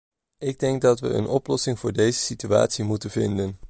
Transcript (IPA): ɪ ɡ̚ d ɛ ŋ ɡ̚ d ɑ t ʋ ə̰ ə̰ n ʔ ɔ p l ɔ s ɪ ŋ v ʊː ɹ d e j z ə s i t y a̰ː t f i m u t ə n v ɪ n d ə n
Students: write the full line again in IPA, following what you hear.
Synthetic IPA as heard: ɪ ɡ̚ d ɛ ŋ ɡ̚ d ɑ t ʋ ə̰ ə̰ n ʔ ɔ p l ɔ s ɪ ŋ v ʊː ɹ d e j z ə s i t y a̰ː t s i m u t ə n v ɪ n d ə n